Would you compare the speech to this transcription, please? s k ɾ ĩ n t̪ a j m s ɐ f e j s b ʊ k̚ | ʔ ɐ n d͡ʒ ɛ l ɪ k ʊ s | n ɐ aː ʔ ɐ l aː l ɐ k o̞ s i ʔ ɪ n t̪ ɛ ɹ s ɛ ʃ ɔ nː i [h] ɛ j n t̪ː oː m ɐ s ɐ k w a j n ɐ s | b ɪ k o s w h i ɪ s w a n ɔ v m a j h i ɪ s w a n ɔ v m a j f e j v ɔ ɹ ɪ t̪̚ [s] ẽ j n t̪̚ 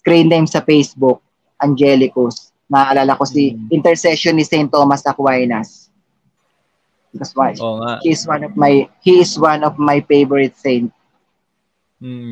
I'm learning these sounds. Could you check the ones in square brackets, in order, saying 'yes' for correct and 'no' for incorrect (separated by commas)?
no, yes